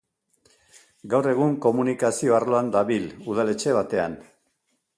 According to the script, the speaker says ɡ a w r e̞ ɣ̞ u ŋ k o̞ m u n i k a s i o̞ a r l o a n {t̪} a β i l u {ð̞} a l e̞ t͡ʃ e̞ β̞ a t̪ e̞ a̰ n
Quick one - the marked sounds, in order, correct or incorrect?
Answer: incorrect, correct

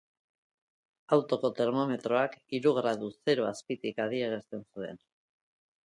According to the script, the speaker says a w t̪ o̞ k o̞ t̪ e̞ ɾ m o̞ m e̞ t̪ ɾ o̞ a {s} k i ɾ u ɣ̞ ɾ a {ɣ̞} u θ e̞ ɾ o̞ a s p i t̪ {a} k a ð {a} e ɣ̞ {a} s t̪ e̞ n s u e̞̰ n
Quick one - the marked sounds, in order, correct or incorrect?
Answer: incorrect, incorrect, incorrect, incorrect, incorrect

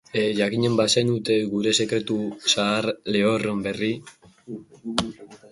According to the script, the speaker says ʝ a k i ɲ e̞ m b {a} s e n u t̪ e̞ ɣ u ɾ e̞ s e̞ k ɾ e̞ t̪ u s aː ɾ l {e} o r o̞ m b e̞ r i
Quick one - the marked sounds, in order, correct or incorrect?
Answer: correct, correct

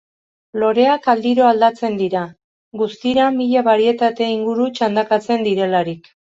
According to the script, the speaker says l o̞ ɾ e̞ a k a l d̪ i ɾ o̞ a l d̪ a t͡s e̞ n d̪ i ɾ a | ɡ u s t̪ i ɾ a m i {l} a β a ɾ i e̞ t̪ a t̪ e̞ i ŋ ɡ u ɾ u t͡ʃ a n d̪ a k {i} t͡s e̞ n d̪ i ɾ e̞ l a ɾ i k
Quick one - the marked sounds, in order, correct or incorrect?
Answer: incorrect, incorrect

